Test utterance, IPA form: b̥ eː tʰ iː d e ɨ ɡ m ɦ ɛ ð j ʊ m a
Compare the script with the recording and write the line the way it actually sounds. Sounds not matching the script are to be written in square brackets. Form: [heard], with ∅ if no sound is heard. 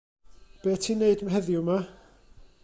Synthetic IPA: b̥ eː tʰ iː [n] e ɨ [d] m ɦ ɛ ð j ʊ m a

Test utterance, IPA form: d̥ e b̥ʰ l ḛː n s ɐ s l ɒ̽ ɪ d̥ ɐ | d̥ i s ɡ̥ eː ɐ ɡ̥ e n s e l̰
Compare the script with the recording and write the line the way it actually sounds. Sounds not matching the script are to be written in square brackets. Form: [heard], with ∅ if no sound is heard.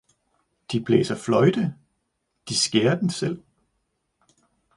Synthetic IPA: d̥ [i] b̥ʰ l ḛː [∅] s ɐ [f] l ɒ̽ ɪ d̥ [ə] | d̥ i s ɡ̥ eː ɐ [d̥] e n s e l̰

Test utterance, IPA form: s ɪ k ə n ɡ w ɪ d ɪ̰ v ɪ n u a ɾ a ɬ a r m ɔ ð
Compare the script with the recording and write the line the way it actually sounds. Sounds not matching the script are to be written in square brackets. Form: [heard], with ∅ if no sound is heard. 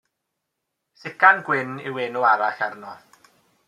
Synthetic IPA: s ɪ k [a] n ɡ w ɪ [n] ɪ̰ [w] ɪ n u a ɾ a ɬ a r [n] ɔ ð

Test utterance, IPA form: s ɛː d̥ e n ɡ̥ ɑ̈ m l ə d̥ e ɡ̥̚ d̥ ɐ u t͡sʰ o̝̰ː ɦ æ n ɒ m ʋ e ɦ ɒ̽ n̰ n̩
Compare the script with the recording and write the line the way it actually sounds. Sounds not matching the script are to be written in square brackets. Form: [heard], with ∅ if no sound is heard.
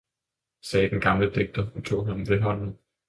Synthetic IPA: s ɛː d̥ e n ɡ̥ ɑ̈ m l ə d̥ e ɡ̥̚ d̥ ɐ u t͡sʰ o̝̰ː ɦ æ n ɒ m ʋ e ɦ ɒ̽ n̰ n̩

